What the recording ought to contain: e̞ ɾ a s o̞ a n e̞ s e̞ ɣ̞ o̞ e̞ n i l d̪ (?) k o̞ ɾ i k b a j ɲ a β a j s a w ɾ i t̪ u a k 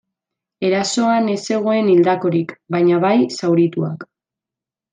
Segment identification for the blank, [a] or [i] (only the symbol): a